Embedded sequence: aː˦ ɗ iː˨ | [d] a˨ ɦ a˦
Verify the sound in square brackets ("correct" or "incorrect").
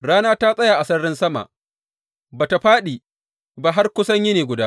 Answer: incorrect